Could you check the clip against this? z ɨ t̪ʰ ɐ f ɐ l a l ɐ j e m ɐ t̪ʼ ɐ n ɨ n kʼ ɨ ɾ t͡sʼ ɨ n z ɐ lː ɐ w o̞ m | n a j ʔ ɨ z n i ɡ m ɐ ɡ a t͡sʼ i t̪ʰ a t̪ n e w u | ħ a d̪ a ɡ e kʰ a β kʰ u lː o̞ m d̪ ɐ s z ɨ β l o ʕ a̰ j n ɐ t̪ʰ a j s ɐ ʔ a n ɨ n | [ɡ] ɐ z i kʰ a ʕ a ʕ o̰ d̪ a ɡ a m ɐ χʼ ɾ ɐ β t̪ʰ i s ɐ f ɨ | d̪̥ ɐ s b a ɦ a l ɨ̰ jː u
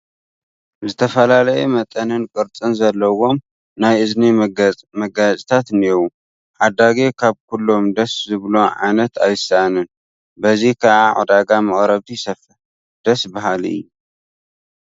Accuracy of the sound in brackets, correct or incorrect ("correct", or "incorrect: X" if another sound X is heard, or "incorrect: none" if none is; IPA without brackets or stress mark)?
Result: incorrect: b